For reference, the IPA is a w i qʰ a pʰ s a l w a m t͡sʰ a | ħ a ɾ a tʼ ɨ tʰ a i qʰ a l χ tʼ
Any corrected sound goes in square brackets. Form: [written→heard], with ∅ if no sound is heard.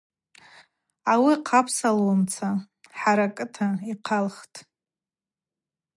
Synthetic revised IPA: a w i qʰ a pʰ s a l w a m t͡sʰ a | ħ a ɾ a [tʼ→kʼ] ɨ tʰ a i qʰ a l χ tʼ